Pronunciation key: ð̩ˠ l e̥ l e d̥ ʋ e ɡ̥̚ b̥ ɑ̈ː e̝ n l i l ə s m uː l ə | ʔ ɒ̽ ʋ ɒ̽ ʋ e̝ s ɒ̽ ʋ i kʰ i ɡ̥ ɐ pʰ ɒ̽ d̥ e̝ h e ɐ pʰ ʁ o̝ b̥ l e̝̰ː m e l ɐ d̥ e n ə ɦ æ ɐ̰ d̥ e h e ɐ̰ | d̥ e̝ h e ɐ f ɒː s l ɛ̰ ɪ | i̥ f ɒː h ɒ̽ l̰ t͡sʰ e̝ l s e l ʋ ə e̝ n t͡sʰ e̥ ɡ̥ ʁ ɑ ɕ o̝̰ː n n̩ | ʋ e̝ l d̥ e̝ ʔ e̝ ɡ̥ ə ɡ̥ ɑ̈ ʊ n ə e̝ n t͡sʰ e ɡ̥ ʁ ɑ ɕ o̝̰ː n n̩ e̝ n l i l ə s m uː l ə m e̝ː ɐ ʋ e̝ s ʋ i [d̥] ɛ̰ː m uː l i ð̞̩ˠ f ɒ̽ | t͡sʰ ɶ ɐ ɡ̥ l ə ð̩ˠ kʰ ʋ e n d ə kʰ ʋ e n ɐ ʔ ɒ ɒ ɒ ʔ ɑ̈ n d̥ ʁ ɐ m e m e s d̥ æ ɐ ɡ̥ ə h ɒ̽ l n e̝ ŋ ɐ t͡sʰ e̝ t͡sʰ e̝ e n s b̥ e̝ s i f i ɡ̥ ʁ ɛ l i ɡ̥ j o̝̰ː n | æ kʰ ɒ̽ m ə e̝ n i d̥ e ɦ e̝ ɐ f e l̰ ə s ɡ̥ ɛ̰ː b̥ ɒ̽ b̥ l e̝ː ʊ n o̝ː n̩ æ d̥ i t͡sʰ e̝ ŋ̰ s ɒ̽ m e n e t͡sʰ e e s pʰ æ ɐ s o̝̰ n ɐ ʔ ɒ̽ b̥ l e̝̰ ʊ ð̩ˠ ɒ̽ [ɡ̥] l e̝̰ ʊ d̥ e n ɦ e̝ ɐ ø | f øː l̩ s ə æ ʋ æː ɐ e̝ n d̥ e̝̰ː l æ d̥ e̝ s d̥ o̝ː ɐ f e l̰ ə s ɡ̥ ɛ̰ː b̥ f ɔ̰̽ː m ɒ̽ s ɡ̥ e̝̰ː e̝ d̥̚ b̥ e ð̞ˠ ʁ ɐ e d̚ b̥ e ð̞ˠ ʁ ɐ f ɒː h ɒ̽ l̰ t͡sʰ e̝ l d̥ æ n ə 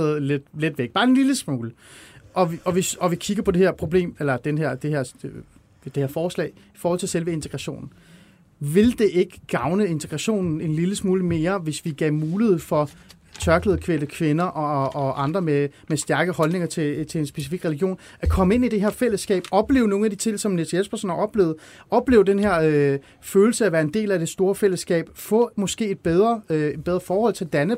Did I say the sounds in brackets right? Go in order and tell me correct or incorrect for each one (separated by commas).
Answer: incorrect, incorrect